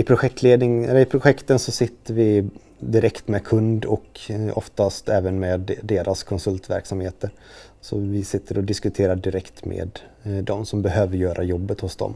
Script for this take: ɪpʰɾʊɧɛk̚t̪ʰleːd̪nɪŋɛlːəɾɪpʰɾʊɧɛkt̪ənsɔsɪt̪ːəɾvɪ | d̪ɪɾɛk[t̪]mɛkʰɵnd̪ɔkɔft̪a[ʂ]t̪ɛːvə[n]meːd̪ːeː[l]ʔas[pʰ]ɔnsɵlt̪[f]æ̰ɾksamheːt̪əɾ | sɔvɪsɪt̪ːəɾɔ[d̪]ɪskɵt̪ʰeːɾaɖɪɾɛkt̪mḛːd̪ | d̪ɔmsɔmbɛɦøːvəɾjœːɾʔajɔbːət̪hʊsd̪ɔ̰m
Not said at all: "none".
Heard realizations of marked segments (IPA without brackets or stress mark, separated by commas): t̪, s, n, ɾ, kʰ, v, d̪